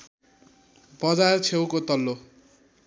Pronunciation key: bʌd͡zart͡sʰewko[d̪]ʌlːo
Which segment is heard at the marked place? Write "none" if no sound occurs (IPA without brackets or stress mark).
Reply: t̪